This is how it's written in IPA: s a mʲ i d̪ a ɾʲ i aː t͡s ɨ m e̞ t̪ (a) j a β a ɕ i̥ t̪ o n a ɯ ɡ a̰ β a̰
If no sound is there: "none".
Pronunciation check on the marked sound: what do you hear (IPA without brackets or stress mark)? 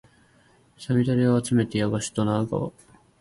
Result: e